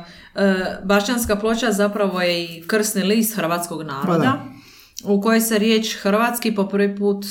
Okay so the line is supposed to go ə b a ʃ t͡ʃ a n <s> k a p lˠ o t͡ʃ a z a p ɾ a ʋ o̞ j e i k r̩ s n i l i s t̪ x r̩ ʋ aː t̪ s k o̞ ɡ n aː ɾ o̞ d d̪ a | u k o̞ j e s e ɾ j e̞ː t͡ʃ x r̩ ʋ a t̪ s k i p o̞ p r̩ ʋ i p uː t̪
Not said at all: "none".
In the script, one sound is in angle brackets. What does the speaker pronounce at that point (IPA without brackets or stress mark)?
s